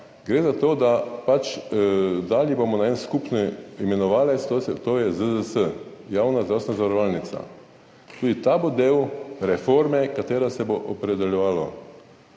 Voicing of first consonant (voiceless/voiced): voiced